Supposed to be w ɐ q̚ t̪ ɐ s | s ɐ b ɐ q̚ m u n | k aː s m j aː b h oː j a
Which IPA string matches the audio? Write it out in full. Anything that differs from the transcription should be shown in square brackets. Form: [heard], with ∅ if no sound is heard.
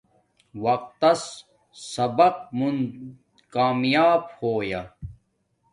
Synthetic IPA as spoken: w ɐ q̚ t̪ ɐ s | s ɐ b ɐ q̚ m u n | k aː [∅] m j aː b h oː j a